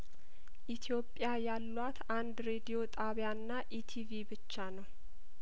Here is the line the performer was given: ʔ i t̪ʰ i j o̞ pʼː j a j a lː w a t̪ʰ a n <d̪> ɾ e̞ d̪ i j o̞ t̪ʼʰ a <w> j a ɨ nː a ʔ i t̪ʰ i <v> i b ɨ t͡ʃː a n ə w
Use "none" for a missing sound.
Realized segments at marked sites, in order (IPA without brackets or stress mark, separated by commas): d̪, β, v